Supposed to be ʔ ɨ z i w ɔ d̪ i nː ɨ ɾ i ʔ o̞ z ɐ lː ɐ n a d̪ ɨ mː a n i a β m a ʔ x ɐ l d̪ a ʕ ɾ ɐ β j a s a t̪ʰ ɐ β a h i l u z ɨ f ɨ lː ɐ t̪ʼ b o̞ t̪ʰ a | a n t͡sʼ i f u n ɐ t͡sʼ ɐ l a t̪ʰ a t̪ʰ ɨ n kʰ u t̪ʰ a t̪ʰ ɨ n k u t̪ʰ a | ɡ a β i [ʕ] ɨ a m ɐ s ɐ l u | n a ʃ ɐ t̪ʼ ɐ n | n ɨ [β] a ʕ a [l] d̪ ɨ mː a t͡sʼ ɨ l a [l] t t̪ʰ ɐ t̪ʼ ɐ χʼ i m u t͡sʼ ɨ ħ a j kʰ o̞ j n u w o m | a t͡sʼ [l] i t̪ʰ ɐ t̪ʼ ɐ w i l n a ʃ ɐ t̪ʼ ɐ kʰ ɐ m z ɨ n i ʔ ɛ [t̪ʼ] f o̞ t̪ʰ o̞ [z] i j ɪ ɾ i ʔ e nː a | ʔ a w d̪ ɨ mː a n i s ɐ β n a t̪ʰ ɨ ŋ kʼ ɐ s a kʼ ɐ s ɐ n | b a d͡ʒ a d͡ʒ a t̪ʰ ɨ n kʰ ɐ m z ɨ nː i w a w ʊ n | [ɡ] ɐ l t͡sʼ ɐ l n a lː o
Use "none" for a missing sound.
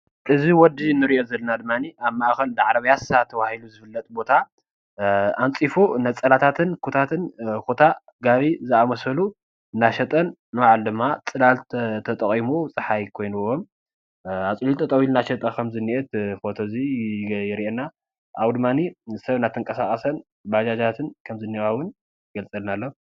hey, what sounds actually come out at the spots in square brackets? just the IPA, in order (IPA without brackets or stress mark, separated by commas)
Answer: z, w, l, l, l, t̪, z, ɡ